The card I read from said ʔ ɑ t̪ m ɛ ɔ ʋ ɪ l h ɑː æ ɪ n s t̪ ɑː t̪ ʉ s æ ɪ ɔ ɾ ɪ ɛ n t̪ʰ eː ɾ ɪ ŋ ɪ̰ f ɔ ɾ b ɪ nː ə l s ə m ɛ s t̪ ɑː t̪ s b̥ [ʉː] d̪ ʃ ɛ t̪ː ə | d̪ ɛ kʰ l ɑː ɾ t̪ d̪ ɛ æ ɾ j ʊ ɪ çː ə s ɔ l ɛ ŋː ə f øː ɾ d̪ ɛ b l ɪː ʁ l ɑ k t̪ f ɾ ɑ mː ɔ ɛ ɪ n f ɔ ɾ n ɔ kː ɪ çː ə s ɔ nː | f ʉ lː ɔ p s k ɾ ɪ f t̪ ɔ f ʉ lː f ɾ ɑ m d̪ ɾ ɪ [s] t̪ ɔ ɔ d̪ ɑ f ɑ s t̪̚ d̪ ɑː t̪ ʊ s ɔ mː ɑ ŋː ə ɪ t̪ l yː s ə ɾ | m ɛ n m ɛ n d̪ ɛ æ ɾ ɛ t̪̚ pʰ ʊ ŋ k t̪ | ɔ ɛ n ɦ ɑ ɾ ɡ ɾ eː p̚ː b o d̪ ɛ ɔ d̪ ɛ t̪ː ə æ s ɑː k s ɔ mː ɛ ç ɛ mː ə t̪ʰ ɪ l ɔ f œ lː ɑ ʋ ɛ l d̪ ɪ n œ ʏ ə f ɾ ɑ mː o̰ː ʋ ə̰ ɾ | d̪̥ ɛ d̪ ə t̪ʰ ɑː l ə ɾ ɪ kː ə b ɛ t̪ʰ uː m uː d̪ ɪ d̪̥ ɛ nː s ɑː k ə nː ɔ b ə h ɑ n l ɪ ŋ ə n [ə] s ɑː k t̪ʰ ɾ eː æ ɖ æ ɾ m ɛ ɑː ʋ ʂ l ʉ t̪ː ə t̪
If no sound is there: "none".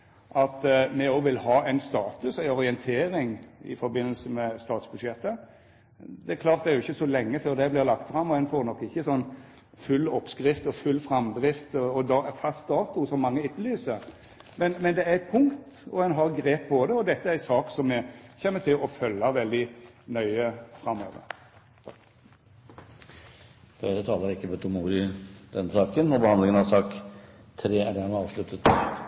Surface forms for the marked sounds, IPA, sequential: ʉ, f, ɑ

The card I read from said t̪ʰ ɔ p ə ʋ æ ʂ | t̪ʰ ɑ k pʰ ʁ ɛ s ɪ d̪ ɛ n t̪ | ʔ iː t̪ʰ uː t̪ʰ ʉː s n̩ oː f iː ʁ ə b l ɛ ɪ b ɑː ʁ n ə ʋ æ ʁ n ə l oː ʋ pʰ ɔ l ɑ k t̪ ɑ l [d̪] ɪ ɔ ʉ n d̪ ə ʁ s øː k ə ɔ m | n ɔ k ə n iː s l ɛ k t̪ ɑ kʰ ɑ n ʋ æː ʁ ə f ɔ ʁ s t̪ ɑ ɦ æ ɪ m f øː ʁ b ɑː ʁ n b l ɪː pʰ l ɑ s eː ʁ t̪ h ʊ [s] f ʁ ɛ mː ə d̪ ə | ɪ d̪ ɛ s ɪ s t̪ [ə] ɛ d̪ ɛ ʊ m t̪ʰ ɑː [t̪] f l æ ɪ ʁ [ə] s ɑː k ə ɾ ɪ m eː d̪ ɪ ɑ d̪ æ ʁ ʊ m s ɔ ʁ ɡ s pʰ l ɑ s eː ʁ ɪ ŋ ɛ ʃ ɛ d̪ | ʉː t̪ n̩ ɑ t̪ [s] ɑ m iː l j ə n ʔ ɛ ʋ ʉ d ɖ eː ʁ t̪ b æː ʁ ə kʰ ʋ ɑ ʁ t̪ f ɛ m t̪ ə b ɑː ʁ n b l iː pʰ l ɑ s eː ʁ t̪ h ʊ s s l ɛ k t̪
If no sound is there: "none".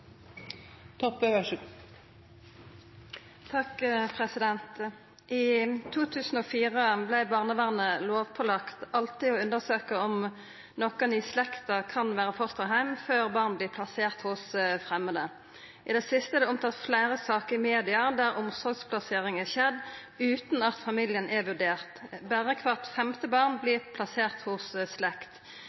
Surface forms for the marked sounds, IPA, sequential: t̪, s, ə, t̪, ə, f

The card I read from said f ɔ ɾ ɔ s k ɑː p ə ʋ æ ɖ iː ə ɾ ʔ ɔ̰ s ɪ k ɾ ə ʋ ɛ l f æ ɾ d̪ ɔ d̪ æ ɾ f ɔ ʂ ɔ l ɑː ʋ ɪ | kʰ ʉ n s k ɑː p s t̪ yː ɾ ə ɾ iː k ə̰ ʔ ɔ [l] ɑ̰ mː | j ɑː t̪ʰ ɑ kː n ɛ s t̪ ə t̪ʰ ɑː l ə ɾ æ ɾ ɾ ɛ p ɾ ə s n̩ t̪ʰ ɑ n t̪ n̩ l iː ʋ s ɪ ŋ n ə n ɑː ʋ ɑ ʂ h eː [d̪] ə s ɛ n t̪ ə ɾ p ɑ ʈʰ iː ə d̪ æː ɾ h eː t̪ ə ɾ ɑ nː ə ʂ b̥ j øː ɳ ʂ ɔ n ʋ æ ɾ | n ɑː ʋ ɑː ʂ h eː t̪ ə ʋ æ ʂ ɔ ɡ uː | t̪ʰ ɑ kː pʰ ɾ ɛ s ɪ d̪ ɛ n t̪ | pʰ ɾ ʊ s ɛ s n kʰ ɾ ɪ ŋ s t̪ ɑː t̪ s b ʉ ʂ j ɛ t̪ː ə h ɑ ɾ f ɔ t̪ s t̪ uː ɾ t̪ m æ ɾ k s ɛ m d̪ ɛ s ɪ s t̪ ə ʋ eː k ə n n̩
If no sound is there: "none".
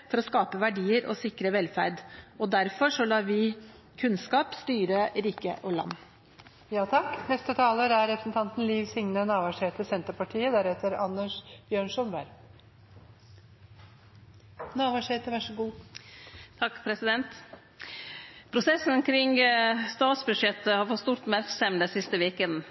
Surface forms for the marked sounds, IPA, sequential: l, t̪

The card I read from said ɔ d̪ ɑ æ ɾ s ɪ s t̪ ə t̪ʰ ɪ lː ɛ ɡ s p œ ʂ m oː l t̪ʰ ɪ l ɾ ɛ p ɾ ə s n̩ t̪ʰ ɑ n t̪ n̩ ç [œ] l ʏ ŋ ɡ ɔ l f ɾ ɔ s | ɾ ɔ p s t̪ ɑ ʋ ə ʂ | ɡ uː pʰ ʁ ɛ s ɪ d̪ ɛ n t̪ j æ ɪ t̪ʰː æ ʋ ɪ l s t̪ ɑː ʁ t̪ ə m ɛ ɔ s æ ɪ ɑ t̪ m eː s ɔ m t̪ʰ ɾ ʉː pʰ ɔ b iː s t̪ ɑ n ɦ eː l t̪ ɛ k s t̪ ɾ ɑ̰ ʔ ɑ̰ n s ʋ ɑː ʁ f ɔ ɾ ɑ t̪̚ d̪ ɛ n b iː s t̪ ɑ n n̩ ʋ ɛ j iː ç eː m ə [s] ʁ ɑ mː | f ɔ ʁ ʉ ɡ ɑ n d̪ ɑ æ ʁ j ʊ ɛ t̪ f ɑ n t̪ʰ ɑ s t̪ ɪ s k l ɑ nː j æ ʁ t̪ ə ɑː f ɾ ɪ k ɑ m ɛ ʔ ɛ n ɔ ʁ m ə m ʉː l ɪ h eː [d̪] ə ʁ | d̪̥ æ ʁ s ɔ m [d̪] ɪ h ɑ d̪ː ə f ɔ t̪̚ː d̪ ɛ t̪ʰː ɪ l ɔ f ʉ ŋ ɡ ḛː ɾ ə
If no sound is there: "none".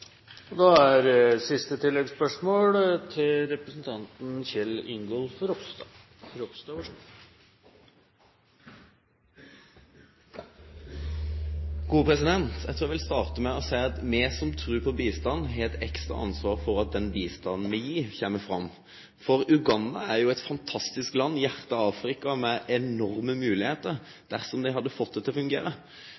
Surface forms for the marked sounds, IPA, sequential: ɛ, f, t̪, d̪

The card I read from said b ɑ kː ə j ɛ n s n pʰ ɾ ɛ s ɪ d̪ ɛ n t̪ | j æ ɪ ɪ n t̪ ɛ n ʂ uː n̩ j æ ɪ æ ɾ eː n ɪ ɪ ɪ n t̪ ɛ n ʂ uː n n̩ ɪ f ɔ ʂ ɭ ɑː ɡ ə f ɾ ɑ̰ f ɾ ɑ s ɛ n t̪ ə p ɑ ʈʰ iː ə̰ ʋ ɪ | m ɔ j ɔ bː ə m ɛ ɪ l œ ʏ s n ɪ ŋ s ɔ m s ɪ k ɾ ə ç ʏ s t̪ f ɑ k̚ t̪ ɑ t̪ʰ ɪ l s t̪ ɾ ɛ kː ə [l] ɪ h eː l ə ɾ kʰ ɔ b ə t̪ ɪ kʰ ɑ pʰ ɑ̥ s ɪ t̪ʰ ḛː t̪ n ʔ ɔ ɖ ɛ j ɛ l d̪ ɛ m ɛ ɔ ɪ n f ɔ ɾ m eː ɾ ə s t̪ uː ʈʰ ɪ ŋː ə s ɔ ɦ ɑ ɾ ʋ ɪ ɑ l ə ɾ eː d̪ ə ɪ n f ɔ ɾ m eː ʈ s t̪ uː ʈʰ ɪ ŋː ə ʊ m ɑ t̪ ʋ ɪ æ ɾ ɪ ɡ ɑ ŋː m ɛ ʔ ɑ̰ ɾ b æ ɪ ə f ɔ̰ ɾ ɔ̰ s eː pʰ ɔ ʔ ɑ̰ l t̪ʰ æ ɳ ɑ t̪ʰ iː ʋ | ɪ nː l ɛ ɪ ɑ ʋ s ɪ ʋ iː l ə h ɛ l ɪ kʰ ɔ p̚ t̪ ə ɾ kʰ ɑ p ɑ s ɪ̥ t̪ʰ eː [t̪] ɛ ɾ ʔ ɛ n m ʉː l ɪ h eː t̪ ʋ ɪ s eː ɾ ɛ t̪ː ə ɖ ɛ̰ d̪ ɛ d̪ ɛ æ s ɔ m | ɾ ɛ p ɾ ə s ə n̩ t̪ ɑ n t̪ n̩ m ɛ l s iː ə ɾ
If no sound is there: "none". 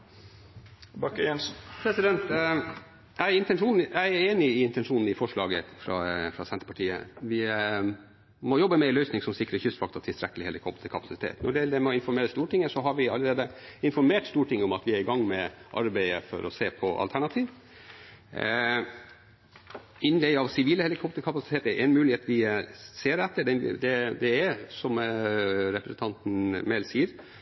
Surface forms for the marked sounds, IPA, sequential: l, t̪

